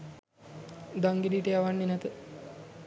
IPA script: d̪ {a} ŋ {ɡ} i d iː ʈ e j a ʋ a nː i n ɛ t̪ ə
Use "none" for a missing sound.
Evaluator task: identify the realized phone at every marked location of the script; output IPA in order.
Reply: a, ɡ

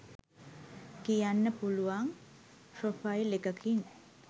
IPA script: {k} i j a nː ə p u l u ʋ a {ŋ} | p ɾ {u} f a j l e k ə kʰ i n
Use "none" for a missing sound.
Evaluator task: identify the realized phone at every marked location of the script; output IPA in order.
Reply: k, ŋ, o

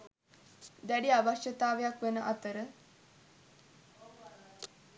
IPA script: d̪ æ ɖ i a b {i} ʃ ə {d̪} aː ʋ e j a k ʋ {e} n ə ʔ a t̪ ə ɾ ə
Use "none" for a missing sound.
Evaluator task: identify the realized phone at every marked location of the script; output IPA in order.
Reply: a, t̪, e

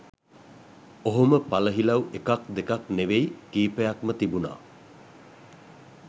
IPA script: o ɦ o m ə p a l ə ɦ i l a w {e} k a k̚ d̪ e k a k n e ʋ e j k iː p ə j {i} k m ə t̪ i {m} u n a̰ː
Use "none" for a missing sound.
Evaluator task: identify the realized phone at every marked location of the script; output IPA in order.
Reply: e, a, b

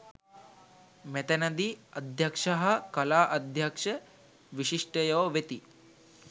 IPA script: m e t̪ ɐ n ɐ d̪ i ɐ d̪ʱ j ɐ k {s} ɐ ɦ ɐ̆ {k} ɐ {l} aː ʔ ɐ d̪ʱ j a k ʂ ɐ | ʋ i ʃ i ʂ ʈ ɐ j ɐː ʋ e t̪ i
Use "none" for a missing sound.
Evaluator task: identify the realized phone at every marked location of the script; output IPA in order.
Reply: ʂ, k, l

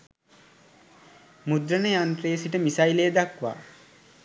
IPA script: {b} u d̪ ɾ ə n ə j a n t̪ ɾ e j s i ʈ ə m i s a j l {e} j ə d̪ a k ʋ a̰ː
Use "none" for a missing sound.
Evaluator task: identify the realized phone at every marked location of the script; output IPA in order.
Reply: m, e

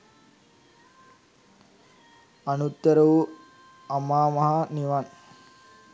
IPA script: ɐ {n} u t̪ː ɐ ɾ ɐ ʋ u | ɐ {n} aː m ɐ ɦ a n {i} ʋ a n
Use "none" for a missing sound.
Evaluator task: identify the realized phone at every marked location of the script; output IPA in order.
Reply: n, m, i

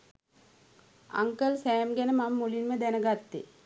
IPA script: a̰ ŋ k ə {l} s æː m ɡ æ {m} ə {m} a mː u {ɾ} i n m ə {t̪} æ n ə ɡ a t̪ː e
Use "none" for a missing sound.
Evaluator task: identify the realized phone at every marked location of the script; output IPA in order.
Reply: l, n, m, l, d̪

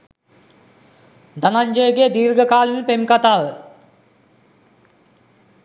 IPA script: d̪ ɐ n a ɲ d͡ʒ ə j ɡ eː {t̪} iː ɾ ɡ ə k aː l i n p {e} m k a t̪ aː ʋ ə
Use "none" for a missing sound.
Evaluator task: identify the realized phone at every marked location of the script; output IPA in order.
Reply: d̪, e

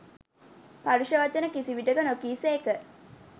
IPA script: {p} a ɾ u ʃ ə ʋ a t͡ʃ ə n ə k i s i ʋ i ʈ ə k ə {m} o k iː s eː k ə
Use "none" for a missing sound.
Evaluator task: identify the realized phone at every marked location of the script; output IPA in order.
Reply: p, n

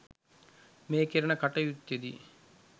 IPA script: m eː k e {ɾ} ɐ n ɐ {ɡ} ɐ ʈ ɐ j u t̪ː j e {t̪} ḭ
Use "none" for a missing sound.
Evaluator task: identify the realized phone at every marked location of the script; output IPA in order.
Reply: ɾ, k, d̪

